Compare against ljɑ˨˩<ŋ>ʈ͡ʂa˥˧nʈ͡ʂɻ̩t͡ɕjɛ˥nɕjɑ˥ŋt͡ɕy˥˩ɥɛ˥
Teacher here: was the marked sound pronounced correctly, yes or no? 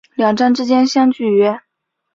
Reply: yes